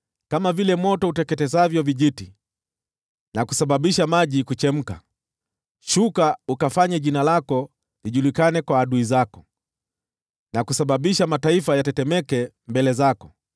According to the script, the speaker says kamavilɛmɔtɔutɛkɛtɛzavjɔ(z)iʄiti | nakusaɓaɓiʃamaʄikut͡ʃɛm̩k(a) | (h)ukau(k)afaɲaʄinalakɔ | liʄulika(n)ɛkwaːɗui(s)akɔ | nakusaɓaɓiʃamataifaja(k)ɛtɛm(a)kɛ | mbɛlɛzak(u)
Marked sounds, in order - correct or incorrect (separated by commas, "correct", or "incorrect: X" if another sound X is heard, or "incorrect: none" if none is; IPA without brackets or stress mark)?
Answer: incorrect: v, correct, incorrect: ʃ, correct, correct, incorrect: z, incorrect: t, incorrect: ɛ, incorrect: ɔ